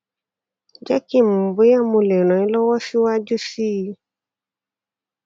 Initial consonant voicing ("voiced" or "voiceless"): voiced